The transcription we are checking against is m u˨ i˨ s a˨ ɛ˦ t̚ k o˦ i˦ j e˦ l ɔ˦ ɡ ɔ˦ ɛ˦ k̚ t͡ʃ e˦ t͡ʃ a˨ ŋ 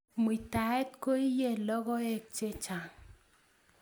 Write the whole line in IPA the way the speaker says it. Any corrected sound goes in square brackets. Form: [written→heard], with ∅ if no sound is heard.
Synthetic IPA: m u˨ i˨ [s→t] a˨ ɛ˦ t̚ k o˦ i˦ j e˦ l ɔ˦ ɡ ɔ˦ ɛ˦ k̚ t͡ʃ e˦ t͡ʃ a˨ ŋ